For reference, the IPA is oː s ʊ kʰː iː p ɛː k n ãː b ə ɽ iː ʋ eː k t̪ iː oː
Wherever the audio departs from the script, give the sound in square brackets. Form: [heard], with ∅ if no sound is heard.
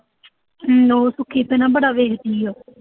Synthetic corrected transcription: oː s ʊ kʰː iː p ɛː [∅] n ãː b ə ɽ [aː] ʋ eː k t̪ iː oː

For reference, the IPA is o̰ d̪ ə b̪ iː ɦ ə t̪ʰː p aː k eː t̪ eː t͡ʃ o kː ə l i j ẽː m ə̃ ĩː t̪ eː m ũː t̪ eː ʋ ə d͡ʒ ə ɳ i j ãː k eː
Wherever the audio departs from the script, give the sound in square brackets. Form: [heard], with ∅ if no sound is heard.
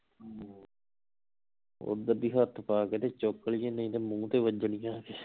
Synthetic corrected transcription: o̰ d̪ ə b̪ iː ɦ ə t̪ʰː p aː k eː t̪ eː t͡ʃ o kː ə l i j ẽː [n] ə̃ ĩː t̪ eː m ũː t̪ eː ʋ ə d͡ʒ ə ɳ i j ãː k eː

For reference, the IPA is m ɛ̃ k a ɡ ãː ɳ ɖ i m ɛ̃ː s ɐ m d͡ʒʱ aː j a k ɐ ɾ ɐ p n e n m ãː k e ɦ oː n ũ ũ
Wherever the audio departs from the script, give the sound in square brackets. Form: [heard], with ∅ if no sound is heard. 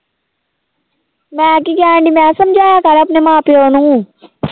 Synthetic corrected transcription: m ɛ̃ k [i] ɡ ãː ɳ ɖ i m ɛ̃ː s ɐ m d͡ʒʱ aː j a k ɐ ɾ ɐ p n e [∅] m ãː [p] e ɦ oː n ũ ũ

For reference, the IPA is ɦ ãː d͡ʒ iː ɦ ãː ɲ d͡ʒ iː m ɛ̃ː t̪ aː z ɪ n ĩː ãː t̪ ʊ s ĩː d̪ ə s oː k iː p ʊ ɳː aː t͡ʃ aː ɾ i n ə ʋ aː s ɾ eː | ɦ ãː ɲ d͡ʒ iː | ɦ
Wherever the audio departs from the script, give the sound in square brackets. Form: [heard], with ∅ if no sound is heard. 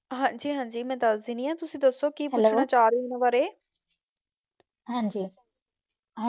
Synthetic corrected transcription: ɦ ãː d͡ʒ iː ɦ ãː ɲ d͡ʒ iː m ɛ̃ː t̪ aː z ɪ n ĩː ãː t̪ ʊ s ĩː d̪ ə s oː k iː p ʊ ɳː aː t͡ʃ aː ɾ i n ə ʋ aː [∅] ɾ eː | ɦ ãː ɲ d͡ʒ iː | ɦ

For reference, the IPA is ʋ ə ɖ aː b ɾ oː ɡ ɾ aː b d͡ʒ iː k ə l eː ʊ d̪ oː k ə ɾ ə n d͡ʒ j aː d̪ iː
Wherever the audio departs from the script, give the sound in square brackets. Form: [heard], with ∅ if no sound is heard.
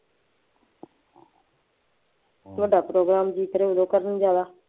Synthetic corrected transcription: ʋ ə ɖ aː [p] ɾ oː ɡ ɾ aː [m] d͡ʒ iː k ə [ɾ] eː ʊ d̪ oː k ə ɾ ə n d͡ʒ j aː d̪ [aː]

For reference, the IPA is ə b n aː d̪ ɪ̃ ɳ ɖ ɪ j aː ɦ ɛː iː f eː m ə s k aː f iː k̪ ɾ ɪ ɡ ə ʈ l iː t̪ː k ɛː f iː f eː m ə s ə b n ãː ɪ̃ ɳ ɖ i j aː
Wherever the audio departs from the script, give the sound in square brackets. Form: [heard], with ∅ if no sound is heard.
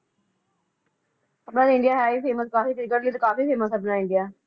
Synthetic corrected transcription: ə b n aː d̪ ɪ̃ ɳ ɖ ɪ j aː ɦ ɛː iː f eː m ə s k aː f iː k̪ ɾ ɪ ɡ ə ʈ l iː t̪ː k [aː] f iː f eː m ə s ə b n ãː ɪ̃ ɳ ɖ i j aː

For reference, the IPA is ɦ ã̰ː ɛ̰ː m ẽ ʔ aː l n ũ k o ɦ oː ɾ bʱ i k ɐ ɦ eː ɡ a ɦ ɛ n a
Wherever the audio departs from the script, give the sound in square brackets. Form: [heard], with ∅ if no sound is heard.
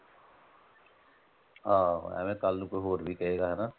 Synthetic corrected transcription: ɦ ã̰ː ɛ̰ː m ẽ [k] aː l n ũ k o ɦ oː ɾ bʱ i k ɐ ɦ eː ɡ a ɦ ɛ n a

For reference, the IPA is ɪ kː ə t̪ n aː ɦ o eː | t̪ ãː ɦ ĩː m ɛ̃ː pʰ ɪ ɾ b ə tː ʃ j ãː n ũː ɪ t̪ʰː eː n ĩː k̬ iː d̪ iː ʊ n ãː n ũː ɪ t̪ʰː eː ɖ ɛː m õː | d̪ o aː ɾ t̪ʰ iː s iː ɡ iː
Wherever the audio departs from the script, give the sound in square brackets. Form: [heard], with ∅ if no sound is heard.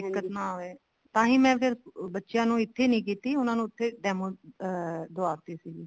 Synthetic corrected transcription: ɪ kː ə t̪ n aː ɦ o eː | t̪ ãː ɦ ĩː m ɛ̃ː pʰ ɪ ɾ b ə tː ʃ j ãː n ũː ɪ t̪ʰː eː n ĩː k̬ iː [t̪] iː ʊ n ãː n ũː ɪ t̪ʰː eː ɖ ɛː m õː | d̪ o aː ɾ [t̪] iː s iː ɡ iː

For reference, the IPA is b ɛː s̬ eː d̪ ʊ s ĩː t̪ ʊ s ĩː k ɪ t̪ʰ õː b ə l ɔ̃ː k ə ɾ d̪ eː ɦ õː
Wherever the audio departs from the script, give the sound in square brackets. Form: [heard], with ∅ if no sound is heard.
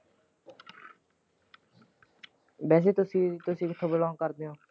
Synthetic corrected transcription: b ɛː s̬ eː [t̪] ʊ s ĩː t̪ ʊ s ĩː k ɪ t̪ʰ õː b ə l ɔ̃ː k ə ɾ d̪ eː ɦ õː

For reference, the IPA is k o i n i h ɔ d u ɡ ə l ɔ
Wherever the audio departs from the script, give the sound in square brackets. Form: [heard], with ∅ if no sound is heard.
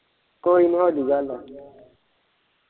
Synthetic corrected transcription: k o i n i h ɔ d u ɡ [a] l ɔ

